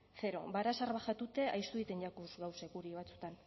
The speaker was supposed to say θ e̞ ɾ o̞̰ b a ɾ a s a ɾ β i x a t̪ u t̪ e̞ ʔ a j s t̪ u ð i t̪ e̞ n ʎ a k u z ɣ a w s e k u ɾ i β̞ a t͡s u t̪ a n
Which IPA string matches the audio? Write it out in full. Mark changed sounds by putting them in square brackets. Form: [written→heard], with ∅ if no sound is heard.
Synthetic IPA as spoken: θ e̞ ɾ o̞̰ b a ɾ a s a ɾ β [i→a] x a t̪ u t̪ e̞ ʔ a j s t̪ u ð i t̪ e̞ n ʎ a k u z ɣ a w s e k u ɾ i β̞ a t͡s u t̪ a n